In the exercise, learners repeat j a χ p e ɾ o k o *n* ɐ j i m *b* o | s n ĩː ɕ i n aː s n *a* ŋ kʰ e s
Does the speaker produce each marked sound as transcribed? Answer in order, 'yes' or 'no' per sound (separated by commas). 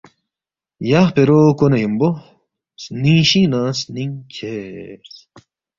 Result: yes, yes, no